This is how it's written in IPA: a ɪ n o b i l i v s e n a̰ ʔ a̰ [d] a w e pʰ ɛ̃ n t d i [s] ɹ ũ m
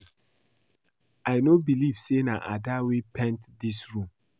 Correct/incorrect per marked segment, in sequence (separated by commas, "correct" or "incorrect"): correct, correct